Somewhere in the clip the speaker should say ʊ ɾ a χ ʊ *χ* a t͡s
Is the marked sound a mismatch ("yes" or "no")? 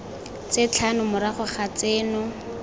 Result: no